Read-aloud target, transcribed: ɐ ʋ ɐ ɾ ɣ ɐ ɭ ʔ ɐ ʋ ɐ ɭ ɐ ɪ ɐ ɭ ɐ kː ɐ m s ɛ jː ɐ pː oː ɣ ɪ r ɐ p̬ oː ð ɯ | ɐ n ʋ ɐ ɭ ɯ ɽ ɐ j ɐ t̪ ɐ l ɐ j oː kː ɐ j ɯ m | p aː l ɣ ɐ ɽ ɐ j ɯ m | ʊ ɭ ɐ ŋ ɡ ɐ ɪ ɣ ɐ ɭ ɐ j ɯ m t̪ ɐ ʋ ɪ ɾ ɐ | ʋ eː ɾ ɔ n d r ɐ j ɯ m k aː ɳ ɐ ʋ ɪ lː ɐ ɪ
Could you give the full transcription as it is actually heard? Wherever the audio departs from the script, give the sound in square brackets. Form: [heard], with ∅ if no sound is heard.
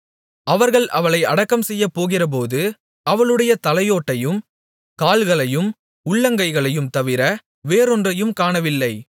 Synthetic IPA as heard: ɐ ʋ ɐ ɾ ɣ ɐ ɭ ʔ ɐ ʋ ɐ ɭ ɐ ɪ ɐ [ɽ] ɐ kː ɐ m s ɛ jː ɐ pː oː ɣ ɪ r ɐ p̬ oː ð ɯ | ɐ [∅] ʋ ɐ ɭ ɯ ɽ ɐ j ɐ t̪ ɐ l ɐ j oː [ʈː] ɐ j ɯ m | [k] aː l ɣ ɐ [ɭ] ɐ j ɯ m | ʊ [ɭː] ɐ ŋ ɡ ɐ ɪ ɣ ɐ ɭ ɐ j ɯ m t̪ ɐ ʋ ɪ ɾ ɐ | ʋ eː ɾ ɔ n d r ɐ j ɯ m k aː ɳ ɐ ʋ ɪ lː ɐ ɪ